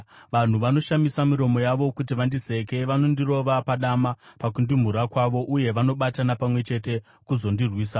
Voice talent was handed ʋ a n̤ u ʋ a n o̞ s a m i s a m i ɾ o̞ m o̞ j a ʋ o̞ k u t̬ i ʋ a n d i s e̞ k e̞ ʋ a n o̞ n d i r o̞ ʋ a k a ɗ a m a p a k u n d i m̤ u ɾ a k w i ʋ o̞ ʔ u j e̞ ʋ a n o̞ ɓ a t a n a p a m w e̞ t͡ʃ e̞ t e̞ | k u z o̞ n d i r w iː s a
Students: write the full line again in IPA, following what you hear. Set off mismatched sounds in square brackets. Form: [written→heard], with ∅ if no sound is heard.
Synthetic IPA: ʋ a n̤ u ʋ a n o̞ [s→ʃ] a m i s a m i ɾ o̞ m o̞ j a ʋ o̞ k u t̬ i ʋ a n d i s e̞ k e̞ ʋ a n o̞ n d i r o̞ ʋ a [k→p] a ɗ a m a p a k u n d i m̤ u ɾ a k w [i→a] ʋ o̞ ʔ u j e̞ ʋ a n o̞ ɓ a t a n a p a m w e̞ t͡ʃ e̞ t e̞ | k u z o̞ n d i r w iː s a